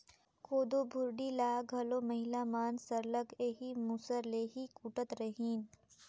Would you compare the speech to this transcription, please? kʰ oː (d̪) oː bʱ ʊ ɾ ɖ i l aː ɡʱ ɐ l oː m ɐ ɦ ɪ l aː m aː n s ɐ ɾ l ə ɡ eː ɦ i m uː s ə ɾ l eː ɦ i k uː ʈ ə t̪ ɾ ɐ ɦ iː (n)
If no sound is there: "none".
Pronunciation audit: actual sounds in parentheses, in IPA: d̪, n

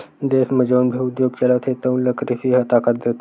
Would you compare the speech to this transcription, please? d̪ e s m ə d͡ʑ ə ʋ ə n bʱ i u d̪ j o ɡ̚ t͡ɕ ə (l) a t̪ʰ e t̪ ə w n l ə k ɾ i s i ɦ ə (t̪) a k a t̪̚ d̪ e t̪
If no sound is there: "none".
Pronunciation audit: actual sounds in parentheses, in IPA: l, t̪

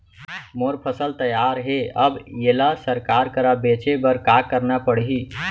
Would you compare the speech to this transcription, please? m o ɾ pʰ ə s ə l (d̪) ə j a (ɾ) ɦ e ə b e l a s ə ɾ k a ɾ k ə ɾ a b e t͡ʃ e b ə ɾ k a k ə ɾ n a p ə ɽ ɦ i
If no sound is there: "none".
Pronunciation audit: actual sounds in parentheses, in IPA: t̪, ɾ

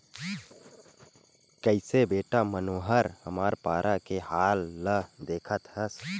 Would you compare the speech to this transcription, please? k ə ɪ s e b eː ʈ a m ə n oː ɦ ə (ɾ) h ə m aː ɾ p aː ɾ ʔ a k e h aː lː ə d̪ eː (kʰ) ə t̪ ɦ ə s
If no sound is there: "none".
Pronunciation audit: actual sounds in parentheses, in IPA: ɾ, kʰ

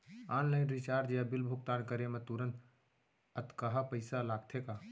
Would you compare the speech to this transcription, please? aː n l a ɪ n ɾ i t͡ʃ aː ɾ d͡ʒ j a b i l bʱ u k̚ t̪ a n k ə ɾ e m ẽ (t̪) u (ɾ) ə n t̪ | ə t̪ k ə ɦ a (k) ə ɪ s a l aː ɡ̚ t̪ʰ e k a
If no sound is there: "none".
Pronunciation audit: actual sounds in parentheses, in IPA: t̪, ɾ, p

